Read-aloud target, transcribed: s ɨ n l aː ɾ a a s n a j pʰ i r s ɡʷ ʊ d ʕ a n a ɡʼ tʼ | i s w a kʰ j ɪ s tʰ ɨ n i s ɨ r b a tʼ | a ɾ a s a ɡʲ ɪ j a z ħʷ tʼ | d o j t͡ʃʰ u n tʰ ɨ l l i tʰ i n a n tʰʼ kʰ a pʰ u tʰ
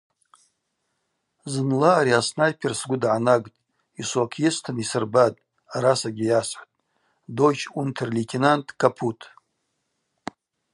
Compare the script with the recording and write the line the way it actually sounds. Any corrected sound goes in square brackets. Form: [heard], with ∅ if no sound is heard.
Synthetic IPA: [z] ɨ n l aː ɾ [i] a s n a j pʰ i r s ɡʷ ʊ d ʕ a n a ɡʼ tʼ | i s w a kʰ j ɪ s tʰ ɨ n i s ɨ r b a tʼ | a ɾ a s a ɡʲ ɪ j a [s] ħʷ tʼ | d o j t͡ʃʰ u n tʰ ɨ [r] l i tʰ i n a n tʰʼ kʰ a pʰ u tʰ